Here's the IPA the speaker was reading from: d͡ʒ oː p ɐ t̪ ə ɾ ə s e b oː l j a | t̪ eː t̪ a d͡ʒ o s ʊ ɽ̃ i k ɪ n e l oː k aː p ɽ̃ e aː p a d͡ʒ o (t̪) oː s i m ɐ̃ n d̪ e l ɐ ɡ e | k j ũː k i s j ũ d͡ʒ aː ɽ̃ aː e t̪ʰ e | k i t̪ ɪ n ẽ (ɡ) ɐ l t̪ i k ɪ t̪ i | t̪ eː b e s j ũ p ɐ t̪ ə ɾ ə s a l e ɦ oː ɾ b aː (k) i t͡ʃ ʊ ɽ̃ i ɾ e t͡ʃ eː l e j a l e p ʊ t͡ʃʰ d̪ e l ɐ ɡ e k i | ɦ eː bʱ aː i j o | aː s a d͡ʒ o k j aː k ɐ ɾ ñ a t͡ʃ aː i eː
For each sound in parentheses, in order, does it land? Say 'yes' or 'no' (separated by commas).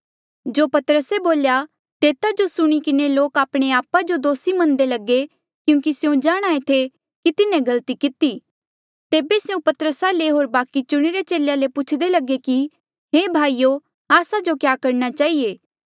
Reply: no, yes, yes